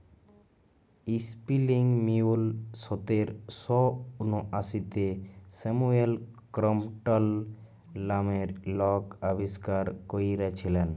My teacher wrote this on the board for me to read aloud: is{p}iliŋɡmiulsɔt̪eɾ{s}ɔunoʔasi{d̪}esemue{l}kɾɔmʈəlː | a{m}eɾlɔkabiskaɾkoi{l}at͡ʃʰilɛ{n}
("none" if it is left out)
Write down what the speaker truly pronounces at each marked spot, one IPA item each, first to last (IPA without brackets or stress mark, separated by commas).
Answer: p, s, t̪, l, m, ɾ, n